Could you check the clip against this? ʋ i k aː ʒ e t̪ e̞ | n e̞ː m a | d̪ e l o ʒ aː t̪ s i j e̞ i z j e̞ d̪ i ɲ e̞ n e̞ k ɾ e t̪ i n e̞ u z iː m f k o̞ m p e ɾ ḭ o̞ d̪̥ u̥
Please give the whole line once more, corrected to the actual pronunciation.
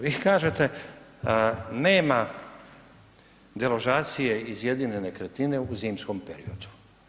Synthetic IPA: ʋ i k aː ʒ e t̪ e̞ | n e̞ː m a | d̪ e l o ʒ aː t̪ s i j e̞ i z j e̞ d̪ i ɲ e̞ n e̞ k ɾ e t̪ i n e̞ u z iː m s k o̞ m p e ɾ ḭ o̞ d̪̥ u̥

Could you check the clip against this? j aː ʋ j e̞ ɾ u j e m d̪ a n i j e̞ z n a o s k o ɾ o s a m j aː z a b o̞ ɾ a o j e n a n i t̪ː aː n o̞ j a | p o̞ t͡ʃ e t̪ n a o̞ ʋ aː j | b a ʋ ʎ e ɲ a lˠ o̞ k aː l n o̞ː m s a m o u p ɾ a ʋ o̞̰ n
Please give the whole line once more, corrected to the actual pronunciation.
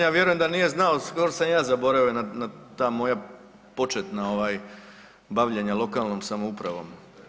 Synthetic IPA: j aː ʋ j e̞ ɾ u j e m d̪ a n i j e̞ z n a o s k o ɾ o s a m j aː z a b o̞ ɾ a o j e n a n a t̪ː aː m o̞ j a | p o̞ t͡ʃ e t̪ n a o̞ ʋ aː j | b a ʋ ʎ e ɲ a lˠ o̞ k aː l n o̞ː m s a m o u p ɾ a ʋ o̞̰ m

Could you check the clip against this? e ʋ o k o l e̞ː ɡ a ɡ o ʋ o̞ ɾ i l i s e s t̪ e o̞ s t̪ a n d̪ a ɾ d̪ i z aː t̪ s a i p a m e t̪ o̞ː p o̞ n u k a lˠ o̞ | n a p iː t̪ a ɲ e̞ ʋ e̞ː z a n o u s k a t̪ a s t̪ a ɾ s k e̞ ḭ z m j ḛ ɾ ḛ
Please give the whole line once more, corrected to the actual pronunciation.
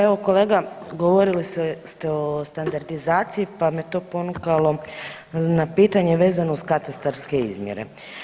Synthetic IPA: e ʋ o k o l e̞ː ɡ a ɡ o ʋ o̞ ɾ i l i s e s t̪ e o̞ s t̪ a n d̪ a ɾ d̪ i z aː t̪ s i i p a m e t̪ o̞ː p o̞ n u k a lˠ o̞ | n a p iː t̪ a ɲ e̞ ʋ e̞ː z a n o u s k a t̪ a s t̪ a ɾ s k e̞ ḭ z m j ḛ ɾ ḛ

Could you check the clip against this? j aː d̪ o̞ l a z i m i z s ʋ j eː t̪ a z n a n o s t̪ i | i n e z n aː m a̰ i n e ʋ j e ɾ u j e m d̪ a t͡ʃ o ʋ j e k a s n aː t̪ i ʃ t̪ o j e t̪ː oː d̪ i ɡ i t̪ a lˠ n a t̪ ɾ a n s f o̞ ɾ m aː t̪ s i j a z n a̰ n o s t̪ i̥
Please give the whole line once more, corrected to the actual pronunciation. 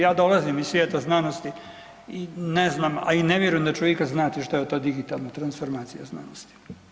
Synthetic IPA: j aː d̪ o̞ l a z i m i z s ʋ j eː t̪ a z n a n o s t̪ i | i n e z n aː m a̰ i n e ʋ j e ɾ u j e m d̪ a t͡ʃ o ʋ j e k a z n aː t̪ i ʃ t̪ o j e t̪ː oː d̪ i ɡ i t̪ a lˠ n a t̪ ɾ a n s f o̞ ɾ m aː t̪ s i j a z n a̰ n o s t̪ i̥

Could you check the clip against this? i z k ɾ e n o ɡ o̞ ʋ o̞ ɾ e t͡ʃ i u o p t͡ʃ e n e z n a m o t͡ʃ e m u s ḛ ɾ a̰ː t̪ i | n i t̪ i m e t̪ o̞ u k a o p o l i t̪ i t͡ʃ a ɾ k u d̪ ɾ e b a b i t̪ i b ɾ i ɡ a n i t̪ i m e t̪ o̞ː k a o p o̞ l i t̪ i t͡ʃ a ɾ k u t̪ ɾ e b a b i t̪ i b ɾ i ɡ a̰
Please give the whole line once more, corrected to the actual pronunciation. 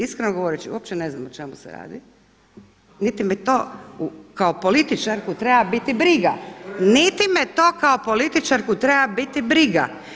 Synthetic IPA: i s k ɾ e n o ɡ o̞ ʋ o̞ ɾ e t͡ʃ i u o p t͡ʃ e n e z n a m o t͡ʃ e m u s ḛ ɾ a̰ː d̪ i | n i t̪ i m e t̪ o̞ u k a o p o l i t̪ i t͡ʃ a ɾ k u t̪ ɾ e b a b i t̪ i b ɾ i ɡ a n i t̪ i m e t̪ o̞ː k a o p o̞ l i t̪ i t͡ʃ a ɾ k u t̪ ɾ e b a b i t̪ i b ɾ i ɡ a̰

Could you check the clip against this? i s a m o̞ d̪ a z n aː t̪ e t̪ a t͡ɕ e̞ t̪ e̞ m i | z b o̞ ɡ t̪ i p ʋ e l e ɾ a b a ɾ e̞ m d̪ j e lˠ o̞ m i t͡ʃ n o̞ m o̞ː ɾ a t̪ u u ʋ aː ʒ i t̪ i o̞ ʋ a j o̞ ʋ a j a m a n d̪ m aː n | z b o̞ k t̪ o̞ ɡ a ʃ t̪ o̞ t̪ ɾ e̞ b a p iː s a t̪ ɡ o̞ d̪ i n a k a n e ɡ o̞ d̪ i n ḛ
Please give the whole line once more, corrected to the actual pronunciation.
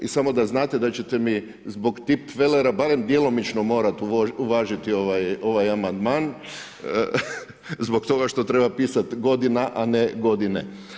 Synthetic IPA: i s a m o̞ d̪ a z n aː t̪ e d̪ a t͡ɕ e̞ t̪ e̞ m i | z b o̞ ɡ t̪ i p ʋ e l e ɾ a b a ɾ e̞ m d̪ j e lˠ o̞ m i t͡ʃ n o̞ m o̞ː ɾ a t̪ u u ʋ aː ʒ i t̪ i o̞ ʋ a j o̞ ʋ a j a m a n d̪ m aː n | z b o̞ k t̪ o̞ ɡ a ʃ t̪ o̞ t̪ ɾ e̞ b a p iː s a t̪ ɡ o̞ d̪ i n a ʔ a n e ɡ o̞ d̪ i n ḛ

